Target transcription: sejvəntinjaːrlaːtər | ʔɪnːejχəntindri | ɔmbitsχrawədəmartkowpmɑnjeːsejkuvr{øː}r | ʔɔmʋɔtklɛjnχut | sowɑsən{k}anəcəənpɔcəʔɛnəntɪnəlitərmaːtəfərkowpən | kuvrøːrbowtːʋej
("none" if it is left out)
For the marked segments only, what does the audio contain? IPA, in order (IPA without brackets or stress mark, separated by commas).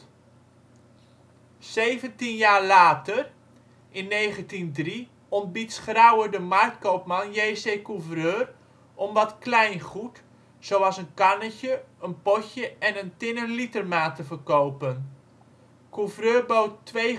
øː, k